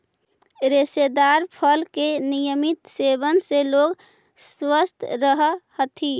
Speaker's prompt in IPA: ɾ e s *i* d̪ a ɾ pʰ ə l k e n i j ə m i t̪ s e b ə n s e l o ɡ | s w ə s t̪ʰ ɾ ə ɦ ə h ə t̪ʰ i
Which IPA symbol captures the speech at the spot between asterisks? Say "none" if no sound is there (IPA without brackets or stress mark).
e